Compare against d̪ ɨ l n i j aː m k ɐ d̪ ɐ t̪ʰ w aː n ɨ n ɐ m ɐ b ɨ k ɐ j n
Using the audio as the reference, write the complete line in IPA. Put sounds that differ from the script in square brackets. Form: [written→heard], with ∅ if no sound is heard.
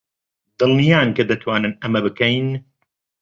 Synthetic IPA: d̪ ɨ l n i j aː [m→n] k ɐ d̪ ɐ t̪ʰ w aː n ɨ n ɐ m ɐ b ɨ k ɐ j n

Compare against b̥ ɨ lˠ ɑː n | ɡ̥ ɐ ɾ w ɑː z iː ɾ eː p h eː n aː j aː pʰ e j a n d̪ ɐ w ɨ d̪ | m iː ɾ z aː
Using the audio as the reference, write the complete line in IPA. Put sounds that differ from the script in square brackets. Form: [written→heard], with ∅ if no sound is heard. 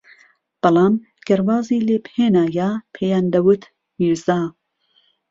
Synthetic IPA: b̥ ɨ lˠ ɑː [n→m] | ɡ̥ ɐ ɾ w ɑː z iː [ɾ→l] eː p h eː n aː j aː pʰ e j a n d̪ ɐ w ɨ [d̪→t̪] | m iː ɾ z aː

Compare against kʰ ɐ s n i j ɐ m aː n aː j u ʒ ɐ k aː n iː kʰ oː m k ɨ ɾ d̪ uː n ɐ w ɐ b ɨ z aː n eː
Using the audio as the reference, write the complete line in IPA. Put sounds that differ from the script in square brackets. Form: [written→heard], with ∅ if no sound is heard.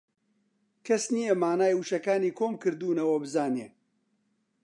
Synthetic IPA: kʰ ɐ s n i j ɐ m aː n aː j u [ʒ→ʃ] ɐ k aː n iː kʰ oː m k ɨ ɾ d̪ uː n ɐ w ɐ b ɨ z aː n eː

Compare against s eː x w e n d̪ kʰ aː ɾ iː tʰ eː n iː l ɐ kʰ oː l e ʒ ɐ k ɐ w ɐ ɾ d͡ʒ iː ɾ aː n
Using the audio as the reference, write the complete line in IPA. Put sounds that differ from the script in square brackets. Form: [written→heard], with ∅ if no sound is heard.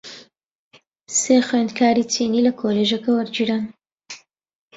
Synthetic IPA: s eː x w e n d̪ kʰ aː ɾ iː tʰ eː n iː l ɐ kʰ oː l e ʒ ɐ k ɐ w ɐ ɾ d͡ʒ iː ɾ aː n

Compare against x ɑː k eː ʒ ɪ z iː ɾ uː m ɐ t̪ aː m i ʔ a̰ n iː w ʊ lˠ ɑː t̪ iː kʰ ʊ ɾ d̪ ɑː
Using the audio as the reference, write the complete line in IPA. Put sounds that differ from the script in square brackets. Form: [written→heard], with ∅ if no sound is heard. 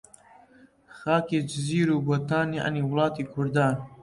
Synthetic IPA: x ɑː k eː [ʒ→d͡ʒ] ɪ z iː ɾ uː [m→b] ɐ t̪ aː [m→n] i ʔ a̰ n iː w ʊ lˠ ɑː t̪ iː kʰ ʊ ɾ d̪ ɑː

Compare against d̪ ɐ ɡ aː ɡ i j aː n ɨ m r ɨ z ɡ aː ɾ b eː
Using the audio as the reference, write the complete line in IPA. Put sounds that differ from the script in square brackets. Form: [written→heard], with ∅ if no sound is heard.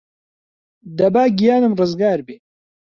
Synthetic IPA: d̪ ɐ [ɡ→b] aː ɡ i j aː n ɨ m r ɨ z ɡ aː ɾ b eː

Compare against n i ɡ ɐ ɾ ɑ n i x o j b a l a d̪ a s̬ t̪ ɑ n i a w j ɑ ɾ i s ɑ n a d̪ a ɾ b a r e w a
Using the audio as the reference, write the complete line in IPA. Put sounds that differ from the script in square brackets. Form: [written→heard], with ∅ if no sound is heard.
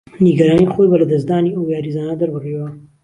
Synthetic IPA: n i ɡ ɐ ɾ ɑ n i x o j b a l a d̪ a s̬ [t̪→d̪] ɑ n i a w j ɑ ɾ i [s→z] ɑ n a d̪ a ɾ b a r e w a

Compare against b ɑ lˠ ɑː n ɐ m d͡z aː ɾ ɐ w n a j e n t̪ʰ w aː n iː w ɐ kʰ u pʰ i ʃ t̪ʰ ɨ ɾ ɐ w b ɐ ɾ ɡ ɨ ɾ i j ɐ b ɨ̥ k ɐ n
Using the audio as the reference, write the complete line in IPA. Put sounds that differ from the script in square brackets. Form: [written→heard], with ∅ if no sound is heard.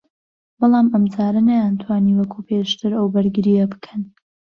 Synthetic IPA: b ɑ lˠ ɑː [n→m] ɐ m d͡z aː ɾ ɐ [w→∅] n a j [e→a] n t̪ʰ w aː n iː w ɐ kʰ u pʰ [i→e] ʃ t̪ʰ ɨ ɾ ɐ w b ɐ ɾ ɡ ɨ ɾ i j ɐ b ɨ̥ [k→kʰ] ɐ n

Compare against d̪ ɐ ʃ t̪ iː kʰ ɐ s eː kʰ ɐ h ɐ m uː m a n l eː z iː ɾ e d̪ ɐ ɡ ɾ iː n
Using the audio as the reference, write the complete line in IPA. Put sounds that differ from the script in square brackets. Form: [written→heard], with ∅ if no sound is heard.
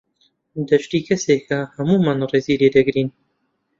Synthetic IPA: d̪ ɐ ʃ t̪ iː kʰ ɐ s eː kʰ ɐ h ɐ m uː m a n [l→r] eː z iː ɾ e d̪ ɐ ɡ ɾ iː n

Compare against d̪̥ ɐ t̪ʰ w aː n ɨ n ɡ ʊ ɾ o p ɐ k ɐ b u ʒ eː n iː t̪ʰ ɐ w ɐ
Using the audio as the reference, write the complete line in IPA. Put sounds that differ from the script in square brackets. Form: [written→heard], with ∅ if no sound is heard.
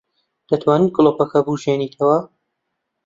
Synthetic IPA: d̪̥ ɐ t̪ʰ w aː n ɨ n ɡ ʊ [ɾ→l] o p ɐ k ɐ b u ʒ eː n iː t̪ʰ ɐ w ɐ

